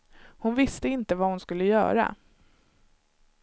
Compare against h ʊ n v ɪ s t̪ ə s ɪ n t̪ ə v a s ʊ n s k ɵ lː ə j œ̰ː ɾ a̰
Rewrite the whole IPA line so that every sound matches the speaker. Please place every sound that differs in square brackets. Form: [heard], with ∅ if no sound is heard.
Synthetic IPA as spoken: h ʊ n v ɪ s t̪ ə [∅] ɪ n t̪ ə v a [h] ʊ n s k ɵ lː ə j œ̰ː ɾ a̰